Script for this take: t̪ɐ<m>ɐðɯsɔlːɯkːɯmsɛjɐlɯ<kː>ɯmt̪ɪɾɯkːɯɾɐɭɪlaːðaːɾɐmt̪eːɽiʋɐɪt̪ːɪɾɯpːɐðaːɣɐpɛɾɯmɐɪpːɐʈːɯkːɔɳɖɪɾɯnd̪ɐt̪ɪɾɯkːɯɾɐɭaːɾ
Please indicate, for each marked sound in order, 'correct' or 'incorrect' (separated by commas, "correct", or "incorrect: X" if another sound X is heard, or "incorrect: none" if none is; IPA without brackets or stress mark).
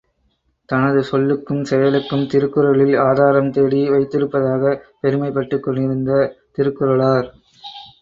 incorrect: n, correct